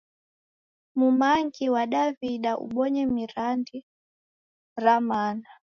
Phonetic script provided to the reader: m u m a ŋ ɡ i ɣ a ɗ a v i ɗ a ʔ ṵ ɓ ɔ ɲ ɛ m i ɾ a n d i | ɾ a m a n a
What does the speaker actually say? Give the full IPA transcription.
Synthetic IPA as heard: m u m a ŋ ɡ i w a ɗ a v i ɗ a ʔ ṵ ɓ ɔ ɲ ɛ m i ɾ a n d i | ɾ a m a n a